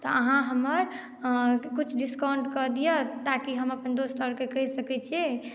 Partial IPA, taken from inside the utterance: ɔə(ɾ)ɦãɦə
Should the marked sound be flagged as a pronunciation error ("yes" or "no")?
yes